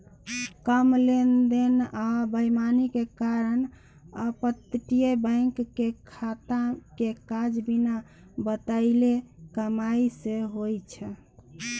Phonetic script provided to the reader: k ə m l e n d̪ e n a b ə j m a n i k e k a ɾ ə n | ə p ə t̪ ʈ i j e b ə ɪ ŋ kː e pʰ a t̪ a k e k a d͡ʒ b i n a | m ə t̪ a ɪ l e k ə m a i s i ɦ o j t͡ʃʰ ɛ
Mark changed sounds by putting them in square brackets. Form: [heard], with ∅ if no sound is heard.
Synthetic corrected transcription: k ə m l e n d̪ e n a b ə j m a n i k e k a ɾ ə n | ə p ə t̪ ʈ i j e b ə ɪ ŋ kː e [kʰ] a t̪ a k e k a d͡ʒ b i n a | [b] ə t̪ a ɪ l e k ə m a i s [e] ɦ o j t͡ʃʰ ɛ